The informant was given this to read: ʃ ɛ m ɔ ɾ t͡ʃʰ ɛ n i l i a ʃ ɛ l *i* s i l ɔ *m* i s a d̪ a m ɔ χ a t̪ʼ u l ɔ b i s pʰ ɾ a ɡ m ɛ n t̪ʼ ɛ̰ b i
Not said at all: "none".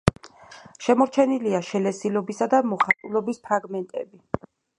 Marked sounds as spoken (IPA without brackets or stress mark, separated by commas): ɛ, b